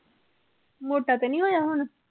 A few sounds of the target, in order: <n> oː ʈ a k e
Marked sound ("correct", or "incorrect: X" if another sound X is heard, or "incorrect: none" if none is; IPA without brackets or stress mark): incorrect: m